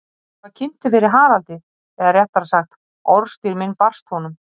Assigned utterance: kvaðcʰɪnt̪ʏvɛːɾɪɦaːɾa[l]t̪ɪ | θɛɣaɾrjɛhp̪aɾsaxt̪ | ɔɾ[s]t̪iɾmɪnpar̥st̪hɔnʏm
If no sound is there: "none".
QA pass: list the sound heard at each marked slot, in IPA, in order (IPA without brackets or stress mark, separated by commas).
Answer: l, s